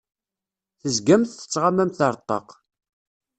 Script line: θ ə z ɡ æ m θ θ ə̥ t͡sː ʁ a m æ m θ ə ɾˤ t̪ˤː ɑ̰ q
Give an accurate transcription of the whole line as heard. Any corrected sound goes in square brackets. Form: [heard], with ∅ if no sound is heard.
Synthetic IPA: θ ə z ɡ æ m θ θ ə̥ t͡sː ʁ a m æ m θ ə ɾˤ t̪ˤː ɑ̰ q